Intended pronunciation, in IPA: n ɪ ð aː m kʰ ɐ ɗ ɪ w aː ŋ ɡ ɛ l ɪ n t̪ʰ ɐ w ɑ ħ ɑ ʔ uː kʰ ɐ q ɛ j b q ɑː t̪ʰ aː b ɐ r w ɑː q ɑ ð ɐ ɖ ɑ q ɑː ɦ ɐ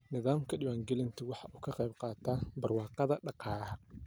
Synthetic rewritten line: n ɪ ð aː m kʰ ɐ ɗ ɪ w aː ŋ ɡ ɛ l ɪ n t̪ʰ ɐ w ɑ ħ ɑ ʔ uː kʰ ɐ q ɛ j b q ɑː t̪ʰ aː b ɐ r w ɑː q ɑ ð ɐ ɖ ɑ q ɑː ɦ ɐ